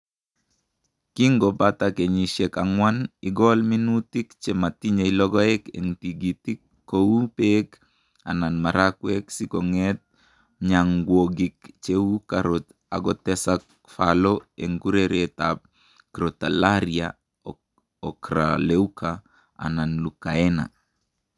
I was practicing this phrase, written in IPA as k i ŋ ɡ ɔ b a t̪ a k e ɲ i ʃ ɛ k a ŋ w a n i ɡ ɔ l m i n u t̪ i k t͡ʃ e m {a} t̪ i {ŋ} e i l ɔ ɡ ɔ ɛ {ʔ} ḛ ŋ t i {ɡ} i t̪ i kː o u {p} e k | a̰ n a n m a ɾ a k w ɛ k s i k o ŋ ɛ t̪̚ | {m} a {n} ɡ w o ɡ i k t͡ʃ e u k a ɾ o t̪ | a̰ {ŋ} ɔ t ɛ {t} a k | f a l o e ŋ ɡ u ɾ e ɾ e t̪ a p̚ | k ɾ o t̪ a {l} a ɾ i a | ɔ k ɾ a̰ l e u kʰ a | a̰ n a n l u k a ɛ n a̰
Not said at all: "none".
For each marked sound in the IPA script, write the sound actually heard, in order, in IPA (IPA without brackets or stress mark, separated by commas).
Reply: a, ɲ, k, ɡ, p, ɲ, ŋ, ɡ, s, l